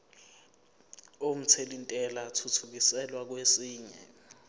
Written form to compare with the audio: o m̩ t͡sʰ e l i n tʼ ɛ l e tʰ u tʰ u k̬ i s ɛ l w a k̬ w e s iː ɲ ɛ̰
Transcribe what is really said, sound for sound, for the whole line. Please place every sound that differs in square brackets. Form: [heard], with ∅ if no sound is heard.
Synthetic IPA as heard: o m̩ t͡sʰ e l i n tʼ ɛ l [a] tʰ u tʰ u k̬ i s ɛ l w a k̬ w e s iː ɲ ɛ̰